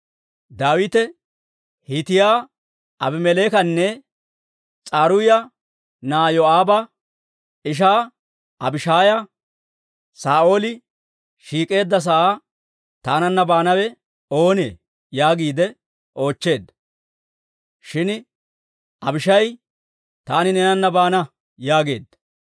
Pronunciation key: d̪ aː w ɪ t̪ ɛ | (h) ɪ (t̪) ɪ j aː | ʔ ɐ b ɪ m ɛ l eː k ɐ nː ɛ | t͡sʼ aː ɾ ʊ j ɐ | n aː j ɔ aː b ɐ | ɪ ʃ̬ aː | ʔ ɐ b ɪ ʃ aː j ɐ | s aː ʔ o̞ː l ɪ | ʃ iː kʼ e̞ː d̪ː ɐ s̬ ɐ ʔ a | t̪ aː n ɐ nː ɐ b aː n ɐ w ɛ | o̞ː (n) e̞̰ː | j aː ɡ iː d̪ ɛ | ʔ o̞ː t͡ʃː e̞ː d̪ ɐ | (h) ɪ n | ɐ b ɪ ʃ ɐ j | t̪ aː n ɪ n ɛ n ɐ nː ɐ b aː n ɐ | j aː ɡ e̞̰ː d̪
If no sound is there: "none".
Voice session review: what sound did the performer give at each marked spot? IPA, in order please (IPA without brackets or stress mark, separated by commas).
h, t̪, n, ʃ